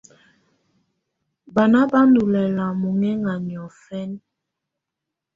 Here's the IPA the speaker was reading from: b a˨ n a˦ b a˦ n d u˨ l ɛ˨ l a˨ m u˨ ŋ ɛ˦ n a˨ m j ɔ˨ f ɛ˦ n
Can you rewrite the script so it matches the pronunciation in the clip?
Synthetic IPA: b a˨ n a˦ b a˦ n d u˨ l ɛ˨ l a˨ m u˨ ŋ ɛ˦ ŋ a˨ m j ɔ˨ f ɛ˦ n

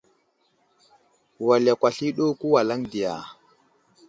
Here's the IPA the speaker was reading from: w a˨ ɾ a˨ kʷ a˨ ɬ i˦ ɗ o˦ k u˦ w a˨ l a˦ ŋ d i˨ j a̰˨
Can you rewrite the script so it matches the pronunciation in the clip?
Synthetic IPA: w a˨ l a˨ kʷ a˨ ɬ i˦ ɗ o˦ k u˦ w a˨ l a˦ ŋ d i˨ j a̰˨

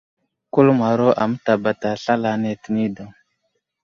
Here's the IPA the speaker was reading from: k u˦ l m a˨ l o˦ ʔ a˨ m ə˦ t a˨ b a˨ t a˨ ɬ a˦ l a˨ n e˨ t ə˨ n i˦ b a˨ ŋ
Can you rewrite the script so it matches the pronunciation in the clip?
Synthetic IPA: k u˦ l m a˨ ɾ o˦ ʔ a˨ m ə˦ t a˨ b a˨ t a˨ ɬ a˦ l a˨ n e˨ t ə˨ n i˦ d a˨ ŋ

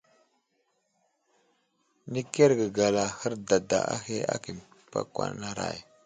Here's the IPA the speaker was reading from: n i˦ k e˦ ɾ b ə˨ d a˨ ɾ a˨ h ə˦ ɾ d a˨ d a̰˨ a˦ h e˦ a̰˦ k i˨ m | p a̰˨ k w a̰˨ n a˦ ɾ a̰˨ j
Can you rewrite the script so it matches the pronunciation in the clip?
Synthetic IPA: n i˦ k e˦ ɾ ɡ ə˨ ɡ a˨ l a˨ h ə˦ ɾ d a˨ d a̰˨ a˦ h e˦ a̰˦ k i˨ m | p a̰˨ k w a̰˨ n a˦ ɾ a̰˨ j

